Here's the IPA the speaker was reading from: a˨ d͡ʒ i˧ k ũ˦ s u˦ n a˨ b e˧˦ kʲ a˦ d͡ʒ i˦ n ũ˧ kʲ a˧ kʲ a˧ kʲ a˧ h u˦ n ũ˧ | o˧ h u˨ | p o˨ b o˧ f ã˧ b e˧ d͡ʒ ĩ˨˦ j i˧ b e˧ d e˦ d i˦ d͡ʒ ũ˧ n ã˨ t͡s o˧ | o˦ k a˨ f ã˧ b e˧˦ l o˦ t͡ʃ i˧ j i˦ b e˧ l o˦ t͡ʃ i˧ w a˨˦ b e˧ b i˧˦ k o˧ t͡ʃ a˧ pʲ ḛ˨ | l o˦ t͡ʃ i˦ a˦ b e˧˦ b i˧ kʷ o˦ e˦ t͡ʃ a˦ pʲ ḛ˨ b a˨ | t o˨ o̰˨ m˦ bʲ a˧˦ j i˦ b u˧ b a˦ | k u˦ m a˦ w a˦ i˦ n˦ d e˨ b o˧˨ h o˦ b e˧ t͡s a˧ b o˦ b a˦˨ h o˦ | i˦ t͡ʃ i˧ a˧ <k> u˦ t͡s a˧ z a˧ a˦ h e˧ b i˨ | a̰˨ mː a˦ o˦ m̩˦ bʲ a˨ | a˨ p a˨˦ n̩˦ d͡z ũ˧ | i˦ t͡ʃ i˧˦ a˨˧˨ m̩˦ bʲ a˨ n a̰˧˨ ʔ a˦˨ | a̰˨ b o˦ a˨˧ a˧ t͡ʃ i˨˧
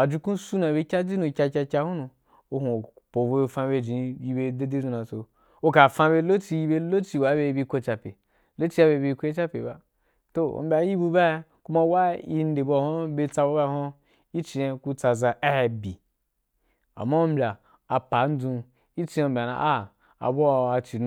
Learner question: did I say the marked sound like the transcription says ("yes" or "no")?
yes